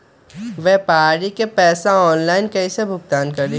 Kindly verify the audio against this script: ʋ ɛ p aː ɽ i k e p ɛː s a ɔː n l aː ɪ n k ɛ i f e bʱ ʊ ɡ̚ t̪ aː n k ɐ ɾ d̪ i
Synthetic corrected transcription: ʋ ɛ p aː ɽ i k e p ɛː s a ɔː n l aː ɪ n k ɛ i s e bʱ ʊ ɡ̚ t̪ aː n k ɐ ɾ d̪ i

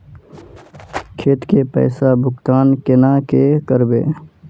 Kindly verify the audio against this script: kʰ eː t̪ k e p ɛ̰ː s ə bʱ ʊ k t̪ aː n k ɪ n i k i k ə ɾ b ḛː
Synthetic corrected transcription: kʰ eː t̪ k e p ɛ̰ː s a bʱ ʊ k t̪ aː n k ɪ n a k e k ə ɾ b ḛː

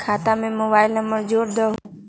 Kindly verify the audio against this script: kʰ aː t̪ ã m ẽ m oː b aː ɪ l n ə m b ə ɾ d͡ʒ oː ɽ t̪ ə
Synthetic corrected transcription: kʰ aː t̪ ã m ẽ m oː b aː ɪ l n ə m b ə ɾ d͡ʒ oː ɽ d̪ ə

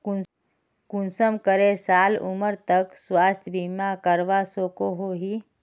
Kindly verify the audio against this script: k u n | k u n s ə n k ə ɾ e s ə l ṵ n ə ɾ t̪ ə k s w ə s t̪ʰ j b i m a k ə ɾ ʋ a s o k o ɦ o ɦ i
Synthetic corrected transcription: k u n | k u n s ə m k ə ɾ e s a l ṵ m ə ɾ t̪ ə k s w a s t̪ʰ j b i m a k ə ɾ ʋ a s o k o ɦ o ɦ i

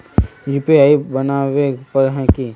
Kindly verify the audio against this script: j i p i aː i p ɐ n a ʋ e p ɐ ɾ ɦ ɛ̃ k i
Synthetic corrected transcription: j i p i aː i b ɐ n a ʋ e p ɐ ɾ ɦ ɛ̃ k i

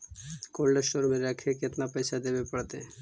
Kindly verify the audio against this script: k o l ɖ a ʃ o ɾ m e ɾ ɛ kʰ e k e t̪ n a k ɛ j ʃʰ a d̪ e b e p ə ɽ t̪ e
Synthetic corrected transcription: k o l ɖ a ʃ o ɾ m e ɾ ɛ kʰ e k e t̪ n a p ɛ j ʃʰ a d̪ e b e p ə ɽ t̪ e

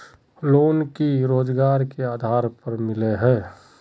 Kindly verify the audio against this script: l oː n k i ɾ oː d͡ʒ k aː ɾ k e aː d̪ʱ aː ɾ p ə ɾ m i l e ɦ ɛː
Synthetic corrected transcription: l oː n k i ɾ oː d͡ʒ ɡ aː ɾ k e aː d̪ʱ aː ɾ p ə ɾ m ɪ l e ɦ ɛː

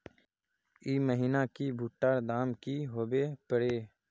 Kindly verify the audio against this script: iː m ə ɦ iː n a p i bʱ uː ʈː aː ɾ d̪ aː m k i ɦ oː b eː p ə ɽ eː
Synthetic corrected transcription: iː m ə ɦ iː n a k i bʱ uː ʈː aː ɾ d̪ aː m k i ɦ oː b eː p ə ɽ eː

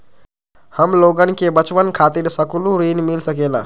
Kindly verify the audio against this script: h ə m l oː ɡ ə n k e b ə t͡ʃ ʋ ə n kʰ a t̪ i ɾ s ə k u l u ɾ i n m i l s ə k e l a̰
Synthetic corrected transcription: h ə m l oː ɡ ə n k e b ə t͡ʃ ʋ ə n kʰ a t̪ i ɾ s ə k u l u ɾ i n m i l s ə k e l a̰

